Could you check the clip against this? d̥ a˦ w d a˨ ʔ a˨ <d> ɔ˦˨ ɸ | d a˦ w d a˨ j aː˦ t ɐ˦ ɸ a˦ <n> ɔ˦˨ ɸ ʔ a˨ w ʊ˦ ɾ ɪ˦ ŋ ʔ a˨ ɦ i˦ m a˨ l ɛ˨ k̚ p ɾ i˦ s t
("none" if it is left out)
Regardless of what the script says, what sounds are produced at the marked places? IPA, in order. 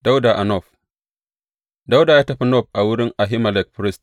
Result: n, n

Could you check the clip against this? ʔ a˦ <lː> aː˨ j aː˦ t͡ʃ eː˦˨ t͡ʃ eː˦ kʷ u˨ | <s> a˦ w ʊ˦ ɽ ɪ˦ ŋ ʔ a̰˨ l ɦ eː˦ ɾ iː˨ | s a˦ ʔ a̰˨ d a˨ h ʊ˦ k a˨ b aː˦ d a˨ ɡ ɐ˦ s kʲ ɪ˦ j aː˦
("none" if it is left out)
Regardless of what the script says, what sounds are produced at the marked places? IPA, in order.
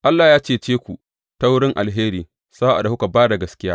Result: lː, t

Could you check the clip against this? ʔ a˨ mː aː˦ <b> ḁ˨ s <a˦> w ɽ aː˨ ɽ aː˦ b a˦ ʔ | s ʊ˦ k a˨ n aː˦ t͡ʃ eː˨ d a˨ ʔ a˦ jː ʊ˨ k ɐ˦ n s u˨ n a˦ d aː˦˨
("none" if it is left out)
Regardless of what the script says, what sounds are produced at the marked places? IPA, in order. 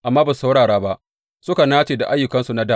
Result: b, a˦

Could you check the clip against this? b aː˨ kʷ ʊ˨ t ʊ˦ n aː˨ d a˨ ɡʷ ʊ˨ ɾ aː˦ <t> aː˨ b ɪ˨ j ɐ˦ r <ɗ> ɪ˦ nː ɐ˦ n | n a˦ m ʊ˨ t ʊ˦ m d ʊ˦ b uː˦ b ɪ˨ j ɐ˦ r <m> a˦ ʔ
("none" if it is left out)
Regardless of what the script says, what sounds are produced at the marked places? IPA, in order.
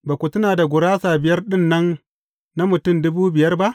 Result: s, ɗ, b

